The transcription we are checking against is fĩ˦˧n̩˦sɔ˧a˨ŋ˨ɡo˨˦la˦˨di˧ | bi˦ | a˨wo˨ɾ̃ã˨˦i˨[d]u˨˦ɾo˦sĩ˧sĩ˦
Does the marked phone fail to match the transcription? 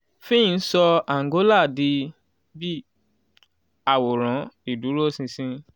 no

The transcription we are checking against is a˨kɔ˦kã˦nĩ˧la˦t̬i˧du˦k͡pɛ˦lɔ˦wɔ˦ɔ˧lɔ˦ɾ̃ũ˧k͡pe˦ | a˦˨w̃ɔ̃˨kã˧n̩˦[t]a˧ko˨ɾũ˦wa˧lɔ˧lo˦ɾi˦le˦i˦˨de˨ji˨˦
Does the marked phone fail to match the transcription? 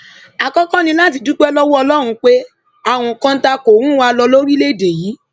no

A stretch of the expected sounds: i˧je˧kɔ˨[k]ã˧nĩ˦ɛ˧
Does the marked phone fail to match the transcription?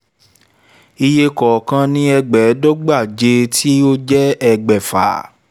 no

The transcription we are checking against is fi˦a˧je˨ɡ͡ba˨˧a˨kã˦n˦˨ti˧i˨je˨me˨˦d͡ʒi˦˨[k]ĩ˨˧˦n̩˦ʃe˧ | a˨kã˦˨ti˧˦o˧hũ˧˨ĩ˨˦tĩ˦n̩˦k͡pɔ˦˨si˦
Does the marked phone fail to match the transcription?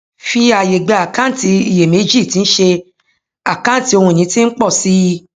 yes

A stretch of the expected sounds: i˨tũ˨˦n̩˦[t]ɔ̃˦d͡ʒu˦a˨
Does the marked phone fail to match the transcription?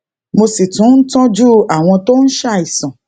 no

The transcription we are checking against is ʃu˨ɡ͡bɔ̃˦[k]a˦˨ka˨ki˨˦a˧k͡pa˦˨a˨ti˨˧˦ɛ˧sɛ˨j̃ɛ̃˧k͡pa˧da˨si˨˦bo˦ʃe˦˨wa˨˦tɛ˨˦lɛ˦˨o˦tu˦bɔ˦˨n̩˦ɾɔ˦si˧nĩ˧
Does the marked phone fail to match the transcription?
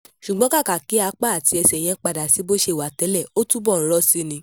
no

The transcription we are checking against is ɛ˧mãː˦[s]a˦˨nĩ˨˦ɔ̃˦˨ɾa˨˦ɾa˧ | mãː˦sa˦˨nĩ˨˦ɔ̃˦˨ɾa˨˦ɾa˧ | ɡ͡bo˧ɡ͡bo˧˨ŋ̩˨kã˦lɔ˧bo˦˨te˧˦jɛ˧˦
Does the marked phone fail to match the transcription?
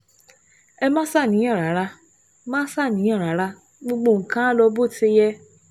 no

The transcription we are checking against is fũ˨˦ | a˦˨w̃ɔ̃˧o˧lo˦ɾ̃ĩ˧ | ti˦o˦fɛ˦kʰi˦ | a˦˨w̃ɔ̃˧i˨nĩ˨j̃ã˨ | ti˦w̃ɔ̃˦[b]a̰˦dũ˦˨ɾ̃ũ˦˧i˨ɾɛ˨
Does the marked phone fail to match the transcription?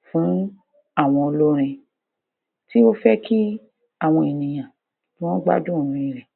yes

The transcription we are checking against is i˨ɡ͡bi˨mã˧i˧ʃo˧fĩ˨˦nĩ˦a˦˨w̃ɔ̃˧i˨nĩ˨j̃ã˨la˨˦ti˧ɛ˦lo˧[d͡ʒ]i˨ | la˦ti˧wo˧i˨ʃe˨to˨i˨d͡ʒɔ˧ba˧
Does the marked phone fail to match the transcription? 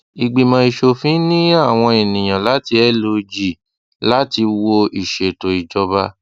no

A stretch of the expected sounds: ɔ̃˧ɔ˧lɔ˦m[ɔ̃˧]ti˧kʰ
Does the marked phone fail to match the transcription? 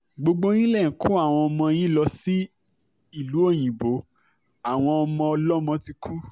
no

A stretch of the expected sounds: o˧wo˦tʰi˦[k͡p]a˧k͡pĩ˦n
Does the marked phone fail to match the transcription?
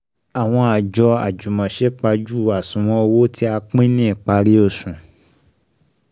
yes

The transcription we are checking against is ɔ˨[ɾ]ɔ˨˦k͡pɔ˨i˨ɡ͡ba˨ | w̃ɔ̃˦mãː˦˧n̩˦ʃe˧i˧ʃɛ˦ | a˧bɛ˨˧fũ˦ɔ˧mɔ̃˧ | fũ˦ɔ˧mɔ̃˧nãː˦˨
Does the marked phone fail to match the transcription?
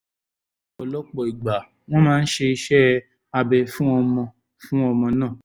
yes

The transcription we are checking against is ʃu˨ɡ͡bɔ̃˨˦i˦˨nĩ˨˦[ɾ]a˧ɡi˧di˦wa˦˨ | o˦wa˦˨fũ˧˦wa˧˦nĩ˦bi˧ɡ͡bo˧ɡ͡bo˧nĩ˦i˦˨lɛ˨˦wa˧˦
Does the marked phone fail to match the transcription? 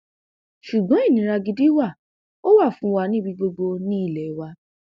no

